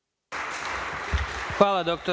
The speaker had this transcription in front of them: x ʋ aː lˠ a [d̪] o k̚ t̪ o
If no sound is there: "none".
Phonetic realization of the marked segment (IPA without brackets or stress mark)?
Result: d̪